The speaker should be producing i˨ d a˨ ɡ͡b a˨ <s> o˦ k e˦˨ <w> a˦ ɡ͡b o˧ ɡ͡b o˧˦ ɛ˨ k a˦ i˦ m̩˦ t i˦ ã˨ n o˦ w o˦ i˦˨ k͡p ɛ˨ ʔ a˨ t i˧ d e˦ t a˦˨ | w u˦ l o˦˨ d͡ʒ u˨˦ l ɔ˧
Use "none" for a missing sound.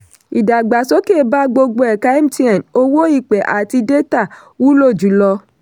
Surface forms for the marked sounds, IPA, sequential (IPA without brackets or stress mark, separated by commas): s, b